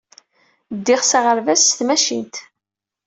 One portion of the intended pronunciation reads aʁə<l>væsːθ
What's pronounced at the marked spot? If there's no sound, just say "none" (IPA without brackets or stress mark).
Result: ɾ